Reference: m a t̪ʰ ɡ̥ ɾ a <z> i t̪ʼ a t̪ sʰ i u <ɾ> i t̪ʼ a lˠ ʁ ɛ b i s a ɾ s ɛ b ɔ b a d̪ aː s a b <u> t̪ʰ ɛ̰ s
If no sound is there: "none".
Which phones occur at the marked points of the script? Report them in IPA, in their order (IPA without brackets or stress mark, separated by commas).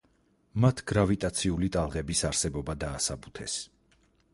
v, l, u